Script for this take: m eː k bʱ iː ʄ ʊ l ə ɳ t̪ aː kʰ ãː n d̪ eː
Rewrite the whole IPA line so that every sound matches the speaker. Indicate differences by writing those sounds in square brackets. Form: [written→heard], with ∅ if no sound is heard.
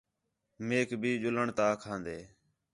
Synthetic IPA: m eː k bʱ iː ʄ ʊ l ə ɳ t̪ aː kʰ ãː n d̪ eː